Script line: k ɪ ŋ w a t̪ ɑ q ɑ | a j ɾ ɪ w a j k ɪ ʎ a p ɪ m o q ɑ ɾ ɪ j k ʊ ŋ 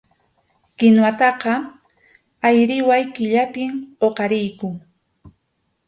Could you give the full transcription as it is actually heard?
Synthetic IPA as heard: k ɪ n w a t̪ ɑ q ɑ | a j ɾ ɪ w a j k ɪ ʎ a p ɪ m o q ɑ ɾ ɪ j k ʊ ŋ